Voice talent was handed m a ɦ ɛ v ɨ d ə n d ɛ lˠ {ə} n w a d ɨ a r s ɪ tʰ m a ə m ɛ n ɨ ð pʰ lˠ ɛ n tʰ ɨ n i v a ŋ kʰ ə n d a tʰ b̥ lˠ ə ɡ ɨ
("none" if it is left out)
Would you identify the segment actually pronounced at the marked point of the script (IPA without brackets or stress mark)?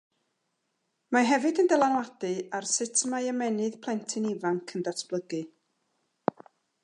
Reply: a